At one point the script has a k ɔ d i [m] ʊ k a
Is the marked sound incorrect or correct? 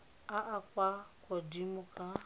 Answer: correct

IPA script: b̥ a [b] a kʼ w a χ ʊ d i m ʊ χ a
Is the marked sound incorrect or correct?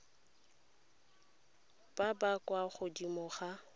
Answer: correct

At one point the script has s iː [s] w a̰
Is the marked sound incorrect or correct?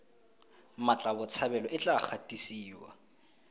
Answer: incorrect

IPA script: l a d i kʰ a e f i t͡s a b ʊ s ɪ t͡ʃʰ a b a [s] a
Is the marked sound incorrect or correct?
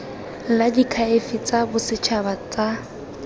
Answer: incorrect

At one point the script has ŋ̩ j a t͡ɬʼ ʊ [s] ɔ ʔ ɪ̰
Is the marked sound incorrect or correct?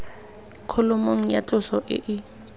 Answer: correct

